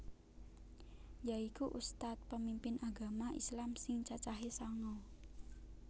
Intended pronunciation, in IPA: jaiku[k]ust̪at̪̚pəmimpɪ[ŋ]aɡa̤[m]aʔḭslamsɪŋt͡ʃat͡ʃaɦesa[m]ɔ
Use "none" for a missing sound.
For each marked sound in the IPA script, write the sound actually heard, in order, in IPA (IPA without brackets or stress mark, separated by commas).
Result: ʔ, n, m, ŋ